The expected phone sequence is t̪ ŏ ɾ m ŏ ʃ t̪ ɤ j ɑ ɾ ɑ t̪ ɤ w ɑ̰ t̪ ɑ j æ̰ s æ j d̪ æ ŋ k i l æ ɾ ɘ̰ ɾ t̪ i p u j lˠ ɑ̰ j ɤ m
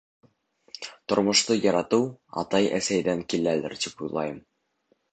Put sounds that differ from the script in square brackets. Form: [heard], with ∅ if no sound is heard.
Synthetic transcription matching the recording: t̪ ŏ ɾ m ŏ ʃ t̪ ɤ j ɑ ɾ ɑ t̪ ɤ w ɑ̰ t̪ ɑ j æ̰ s æ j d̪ æ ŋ k i l æ [l] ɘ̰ ɾ t̪ i p u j lˠ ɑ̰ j ɤ m